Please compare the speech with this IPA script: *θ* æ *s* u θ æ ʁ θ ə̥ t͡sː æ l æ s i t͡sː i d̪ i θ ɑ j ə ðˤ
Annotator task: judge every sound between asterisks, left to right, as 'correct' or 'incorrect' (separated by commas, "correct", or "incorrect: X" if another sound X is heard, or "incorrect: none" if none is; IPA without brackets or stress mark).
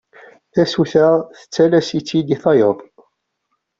correct, correct